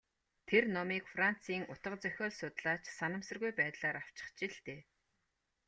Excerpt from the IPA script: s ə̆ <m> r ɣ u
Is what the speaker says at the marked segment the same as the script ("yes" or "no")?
no